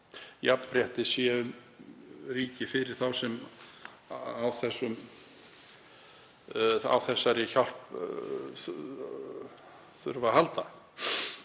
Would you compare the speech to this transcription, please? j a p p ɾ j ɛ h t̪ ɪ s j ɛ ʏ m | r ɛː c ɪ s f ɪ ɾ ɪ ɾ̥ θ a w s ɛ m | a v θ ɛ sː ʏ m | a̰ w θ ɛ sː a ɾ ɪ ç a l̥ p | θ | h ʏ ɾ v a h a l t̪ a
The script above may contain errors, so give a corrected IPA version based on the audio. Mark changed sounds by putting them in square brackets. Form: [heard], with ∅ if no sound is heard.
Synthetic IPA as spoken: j a p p ɾ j ɛ h t̪ ɪ s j ɛ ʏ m | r [iː] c ɪ [∅] f ɪ ɾ ɪ ɾ̥ θ a w s ɛ m | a [w] θ ɛ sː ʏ m | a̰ w θ ɛ sː a ɾ ɪ ç a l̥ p | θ | [θ] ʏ ɾ v a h a l t̪ a